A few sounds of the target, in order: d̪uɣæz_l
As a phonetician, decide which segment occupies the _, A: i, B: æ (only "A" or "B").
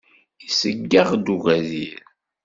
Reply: A